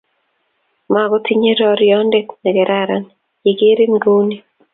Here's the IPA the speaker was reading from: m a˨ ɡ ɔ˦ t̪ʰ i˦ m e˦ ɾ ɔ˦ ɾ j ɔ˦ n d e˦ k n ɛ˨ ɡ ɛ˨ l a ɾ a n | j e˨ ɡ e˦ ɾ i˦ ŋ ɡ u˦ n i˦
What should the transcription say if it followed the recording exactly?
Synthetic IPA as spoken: m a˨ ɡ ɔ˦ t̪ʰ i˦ ɲ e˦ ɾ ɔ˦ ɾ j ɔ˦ n d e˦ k n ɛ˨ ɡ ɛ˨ ɾ a ɾ a n | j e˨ ɡ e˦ ɾ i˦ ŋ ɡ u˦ n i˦